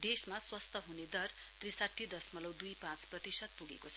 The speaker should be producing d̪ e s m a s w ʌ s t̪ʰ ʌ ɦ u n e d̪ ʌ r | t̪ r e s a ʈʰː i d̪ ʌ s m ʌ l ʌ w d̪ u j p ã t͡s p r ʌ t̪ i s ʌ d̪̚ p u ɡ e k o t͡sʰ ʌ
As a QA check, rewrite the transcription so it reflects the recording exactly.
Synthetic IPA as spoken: d̪ e s m a s w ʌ s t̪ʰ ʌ ɦ u n e d̪ ʌ r | t̪ r i s a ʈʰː i d̪ ʌ s m ʌ l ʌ w d̪ u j p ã t͡s p r ʌ t̪ i s ʌ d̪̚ p u ɡ e k o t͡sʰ ʌ